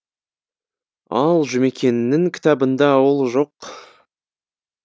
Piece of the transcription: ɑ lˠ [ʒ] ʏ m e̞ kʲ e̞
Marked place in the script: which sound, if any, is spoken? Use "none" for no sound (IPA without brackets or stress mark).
ʒ